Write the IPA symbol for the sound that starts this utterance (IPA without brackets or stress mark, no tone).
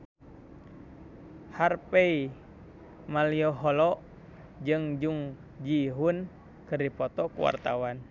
h